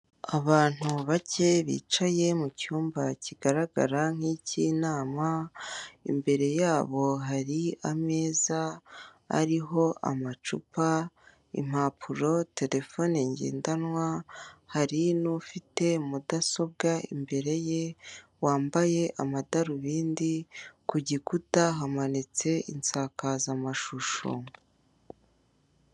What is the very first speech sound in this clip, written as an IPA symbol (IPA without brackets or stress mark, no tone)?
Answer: a